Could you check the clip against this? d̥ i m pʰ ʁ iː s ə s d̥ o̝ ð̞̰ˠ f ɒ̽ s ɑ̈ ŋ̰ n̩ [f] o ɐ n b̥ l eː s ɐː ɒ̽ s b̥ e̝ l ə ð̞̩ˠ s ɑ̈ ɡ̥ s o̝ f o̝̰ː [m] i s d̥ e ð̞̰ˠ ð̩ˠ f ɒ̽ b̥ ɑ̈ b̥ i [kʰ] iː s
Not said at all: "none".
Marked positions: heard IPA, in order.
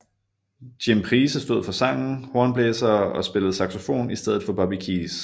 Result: h, n, kʰ

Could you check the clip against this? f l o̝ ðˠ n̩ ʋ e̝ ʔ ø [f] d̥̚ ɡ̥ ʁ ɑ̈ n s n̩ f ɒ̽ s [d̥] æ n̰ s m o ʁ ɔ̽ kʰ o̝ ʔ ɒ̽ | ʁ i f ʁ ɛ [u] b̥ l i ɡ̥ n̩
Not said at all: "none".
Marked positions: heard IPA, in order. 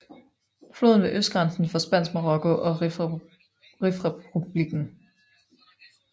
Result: s, b̥, u

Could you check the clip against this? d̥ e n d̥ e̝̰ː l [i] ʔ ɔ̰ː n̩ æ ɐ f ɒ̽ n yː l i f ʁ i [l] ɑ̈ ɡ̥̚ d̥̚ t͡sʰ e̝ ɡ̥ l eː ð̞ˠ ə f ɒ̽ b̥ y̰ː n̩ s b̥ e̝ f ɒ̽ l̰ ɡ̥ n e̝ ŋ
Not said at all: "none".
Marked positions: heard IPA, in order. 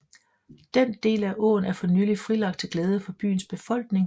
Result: æ, l

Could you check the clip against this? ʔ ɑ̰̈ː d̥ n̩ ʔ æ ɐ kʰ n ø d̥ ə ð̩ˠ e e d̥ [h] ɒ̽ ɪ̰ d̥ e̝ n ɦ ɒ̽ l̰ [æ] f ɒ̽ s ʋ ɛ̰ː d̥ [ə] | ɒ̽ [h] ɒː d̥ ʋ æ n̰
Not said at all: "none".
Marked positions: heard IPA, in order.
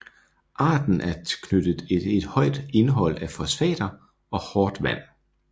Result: h, æ, ɐ, h

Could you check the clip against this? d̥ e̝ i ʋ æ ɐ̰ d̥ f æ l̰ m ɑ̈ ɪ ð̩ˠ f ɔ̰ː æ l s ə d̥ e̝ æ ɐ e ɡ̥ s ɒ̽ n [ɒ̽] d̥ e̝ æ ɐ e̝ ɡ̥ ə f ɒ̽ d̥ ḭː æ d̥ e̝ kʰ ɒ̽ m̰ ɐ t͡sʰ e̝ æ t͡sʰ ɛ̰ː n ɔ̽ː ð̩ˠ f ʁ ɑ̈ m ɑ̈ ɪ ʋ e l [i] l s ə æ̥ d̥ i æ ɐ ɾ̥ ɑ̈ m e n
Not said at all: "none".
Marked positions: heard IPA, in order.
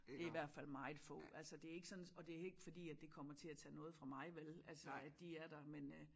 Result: ɒ̽, æ

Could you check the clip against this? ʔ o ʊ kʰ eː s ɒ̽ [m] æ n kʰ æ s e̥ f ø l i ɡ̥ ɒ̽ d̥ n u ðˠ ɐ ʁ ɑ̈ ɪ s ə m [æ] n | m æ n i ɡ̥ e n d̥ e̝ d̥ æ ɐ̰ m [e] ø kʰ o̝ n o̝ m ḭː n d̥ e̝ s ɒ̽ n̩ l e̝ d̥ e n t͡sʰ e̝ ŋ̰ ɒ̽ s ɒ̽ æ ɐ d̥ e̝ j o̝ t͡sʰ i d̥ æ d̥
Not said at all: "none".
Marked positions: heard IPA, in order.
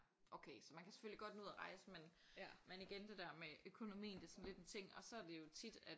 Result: m, e, e

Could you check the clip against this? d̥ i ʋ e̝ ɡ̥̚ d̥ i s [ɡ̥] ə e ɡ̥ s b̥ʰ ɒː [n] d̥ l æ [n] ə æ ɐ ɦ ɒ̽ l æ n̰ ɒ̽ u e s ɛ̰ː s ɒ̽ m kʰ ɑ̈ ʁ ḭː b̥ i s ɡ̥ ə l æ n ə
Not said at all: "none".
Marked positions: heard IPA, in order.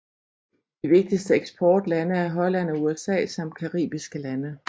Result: d̥, none, n

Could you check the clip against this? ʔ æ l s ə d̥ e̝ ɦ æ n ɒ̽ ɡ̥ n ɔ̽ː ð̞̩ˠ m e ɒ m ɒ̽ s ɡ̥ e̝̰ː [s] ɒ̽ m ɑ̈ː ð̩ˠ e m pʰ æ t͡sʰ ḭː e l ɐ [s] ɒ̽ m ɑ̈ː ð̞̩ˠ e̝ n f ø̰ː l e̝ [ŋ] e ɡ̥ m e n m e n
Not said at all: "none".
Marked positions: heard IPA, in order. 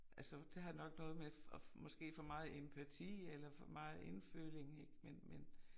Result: f, f, ŋ

